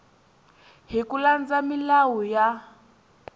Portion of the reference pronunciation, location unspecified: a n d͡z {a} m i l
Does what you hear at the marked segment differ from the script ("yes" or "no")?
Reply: no